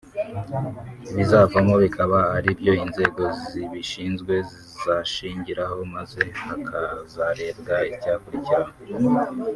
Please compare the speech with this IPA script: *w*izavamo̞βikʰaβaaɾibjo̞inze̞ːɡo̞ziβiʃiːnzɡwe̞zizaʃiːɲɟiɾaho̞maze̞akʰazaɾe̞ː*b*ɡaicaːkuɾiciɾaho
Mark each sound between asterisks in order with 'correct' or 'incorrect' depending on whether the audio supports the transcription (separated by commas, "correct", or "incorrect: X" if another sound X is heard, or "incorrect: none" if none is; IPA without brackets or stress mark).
incorrect: β, correct